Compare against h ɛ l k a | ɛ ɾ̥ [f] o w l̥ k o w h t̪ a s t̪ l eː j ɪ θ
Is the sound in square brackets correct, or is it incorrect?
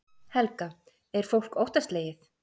correct